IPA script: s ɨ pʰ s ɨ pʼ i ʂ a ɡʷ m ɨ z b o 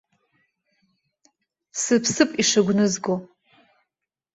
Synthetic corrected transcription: s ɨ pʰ s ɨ pʼ i ʂ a ɡʷ n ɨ z ɡ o

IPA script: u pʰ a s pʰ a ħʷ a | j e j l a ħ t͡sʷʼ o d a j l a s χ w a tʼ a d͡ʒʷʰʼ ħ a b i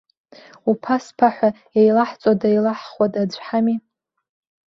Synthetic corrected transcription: u pʰ a s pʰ a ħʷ a | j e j l a ħ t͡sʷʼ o d a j l a ħ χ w a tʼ a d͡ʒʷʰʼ ħ a m i

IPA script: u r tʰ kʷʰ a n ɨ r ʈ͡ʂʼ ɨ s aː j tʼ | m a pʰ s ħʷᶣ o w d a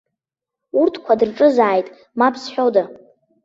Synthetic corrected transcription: u r tʰ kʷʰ a d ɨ r ʈ͡ʂʼ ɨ z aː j tʼ | m a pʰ s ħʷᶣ o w d a

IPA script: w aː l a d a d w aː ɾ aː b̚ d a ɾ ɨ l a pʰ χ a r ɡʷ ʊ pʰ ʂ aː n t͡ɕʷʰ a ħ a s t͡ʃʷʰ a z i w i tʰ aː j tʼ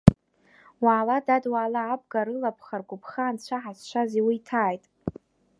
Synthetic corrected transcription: w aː l a d a d w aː l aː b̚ ɡ a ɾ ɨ l a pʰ χ a r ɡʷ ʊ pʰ χ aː n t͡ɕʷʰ a ħ a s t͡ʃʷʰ a z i w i tʰ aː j tʼ

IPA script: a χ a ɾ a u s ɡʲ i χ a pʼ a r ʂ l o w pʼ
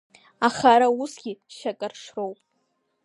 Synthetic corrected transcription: a χ a ɾ a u s ɡʲ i ʃ a kʼ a r ʂ r o w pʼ

